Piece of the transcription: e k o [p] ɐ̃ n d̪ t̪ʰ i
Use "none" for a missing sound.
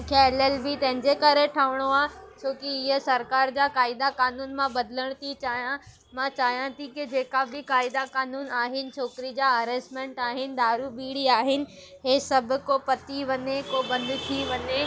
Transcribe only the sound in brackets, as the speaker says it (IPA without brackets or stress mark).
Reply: b